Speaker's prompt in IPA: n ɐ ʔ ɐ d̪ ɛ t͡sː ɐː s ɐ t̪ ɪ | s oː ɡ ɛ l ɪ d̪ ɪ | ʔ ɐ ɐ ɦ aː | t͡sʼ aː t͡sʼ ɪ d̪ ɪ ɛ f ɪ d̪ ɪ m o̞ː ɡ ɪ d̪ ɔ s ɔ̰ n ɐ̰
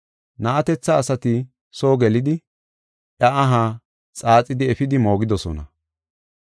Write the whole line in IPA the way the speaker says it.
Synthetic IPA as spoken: n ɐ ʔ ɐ t̪ ɛ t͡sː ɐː s ɐ t̪ ɪ | s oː ɡ ɛ l ɪ d̪ ɪ | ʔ ɐ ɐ ɦ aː | t͡sʼ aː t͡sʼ ɪ d̪ ɪ ɛ f ɪ d̪ ɪ m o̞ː ɡ ɪ d̪ ɔ s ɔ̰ n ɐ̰